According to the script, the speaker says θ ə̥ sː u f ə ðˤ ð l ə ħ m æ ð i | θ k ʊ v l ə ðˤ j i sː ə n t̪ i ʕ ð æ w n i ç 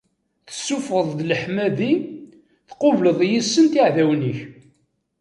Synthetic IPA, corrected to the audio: θ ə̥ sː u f ə ðˤ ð l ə ħ m æ ð i | θ q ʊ v l ə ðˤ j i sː ə n t̪ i ʕ ð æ w n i ç